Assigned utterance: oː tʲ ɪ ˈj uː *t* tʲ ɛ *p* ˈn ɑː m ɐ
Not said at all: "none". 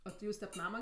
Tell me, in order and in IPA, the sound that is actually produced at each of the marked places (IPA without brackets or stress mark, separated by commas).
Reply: s, p